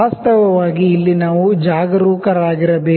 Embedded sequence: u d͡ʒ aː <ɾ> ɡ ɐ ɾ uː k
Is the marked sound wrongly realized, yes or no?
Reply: yes